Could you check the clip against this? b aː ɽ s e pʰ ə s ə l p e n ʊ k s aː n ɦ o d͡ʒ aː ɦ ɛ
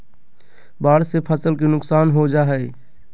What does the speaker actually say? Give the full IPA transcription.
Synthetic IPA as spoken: b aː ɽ s e pʰ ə s ə l k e n ʊ k s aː n ɦ o d͡ʒ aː ɦ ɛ